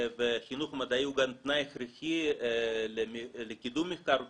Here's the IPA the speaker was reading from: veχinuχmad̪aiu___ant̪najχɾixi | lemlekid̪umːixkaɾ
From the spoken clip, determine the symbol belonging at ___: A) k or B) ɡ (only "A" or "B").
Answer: B